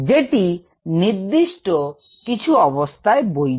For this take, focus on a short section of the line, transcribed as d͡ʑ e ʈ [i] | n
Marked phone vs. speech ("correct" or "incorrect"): correct